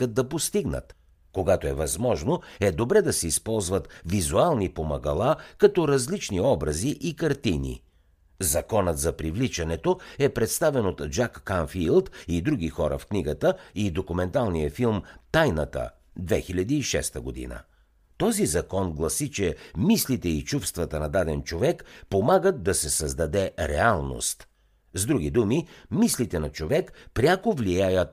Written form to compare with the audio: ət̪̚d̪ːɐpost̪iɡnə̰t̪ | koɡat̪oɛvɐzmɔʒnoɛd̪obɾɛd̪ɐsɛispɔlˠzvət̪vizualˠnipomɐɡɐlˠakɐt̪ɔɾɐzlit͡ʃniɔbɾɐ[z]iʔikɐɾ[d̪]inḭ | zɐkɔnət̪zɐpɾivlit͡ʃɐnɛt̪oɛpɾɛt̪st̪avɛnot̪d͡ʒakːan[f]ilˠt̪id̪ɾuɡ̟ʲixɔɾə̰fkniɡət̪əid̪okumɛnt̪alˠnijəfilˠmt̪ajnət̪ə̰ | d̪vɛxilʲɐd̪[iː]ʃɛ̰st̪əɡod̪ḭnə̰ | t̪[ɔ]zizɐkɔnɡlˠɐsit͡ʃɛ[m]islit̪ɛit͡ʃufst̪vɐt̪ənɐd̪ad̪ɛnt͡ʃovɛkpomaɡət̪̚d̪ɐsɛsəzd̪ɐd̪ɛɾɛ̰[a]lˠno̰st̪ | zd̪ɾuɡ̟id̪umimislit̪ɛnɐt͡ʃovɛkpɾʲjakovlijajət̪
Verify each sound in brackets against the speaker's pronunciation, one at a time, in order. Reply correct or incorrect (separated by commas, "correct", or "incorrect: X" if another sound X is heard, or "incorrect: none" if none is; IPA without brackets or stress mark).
correct, incorrect: t̪, correct, correct, correct, correct, correct